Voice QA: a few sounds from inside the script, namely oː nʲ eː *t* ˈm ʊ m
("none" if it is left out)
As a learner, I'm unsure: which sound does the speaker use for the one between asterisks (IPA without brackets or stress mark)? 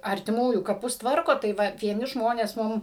s